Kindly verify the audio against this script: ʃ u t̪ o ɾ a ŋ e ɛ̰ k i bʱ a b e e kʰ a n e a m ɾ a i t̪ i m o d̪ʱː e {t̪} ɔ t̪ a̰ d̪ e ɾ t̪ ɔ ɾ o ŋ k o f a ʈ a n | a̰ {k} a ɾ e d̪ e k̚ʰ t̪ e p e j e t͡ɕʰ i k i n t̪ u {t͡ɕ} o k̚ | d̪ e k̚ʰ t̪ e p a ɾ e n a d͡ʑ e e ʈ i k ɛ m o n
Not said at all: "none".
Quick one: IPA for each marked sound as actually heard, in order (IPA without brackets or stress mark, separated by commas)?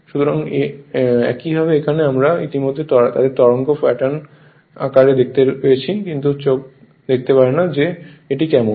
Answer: t̪, k, t͡ɕ